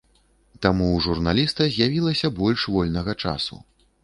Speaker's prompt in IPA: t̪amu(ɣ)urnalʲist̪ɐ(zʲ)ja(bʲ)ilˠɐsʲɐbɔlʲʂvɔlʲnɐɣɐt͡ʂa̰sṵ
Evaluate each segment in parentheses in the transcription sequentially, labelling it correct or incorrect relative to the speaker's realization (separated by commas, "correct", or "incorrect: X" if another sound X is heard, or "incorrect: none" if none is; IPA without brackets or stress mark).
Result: incorrect: ʐ, correct, incorrect: vʲ